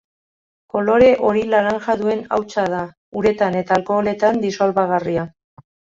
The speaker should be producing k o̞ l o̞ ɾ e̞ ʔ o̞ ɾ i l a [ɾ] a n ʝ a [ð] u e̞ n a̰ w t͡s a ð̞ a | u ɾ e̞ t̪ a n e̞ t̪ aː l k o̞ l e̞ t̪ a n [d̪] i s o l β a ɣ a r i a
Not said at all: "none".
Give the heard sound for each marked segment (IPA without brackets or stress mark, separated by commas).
ɾ, ð, d̪